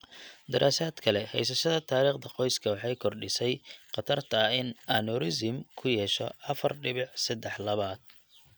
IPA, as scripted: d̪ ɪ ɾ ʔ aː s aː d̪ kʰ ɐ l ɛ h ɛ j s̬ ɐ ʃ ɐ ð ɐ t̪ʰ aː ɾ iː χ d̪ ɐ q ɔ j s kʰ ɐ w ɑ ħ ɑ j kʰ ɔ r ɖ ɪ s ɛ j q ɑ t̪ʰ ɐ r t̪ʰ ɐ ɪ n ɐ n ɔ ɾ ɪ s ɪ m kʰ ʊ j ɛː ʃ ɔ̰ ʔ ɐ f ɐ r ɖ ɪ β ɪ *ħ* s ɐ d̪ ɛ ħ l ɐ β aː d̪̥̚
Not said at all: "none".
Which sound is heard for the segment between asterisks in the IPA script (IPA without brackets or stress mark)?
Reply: ħ